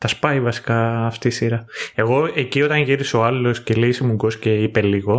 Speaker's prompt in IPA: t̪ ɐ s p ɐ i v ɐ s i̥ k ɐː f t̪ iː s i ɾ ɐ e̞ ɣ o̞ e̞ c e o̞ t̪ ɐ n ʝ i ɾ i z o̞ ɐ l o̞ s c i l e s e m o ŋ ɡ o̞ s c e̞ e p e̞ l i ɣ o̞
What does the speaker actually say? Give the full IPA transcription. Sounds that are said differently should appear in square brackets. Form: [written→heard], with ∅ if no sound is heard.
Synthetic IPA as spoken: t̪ ɐ s p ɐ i v ɐ s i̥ k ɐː f t̪ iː s i ɾ ɐ e̞ ɣ o̞ e̞ c [e→i] o̞ t̪ ɐ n ʝ i ɾ i [z→s] o̞ ɐ l o̞ s c [i→e] l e s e m [o→u] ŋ ɡ o̞ s c e̞ [e→i] p e̞ l i ɣ o̞